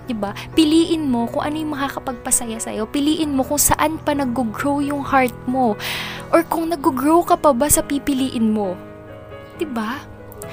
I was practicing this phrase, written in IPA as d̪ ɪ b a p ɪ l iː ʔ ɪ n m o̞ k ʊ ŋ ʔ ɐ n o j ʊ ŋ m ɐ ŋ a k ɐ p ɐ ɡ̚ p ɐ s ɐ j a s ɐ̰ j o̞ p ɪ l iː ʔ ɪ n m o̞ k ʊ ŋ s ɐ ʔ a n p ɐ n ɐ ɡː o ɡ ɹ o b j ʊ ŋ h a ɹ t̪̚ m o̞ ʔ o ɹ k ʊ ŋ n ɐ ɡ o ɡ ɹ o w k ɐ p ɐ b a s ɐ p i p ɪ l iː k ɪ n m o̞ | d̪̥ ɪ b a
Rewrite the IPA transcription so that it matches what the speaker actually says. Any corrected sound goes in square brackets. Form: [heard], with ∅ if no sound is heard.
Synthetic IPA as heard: d̪ ɪ b a p ɪ l iː ʔ ɪ n m o̞ k ʊ ŋ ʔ ɐ n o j ʊ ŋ m ɐ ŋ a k ɐ p ɐ ɡ̚ p ɐ s ɐ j a s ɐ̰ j o̞ p ɪ l iː ʔ ɪ n m o̞ k ʊ ŋ s ɐ ʔ a n p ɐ n ɐ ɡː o ɡ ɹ o [w] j ʊ ŋ h a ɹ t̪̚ m o̞ ʔ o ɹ k ʊ ŋ n ɐ ɡ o ɡ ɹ o w k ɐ p ɐ b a s ɐ p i p ɪ l iː [ʔ] ɪ n m o̞ | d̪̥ ɪ b a